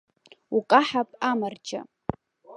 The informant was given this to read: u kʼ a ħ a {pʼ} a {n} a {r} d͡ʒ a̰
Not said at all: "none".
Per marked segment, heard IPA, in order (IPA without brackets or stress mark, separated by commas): pʼ, m, r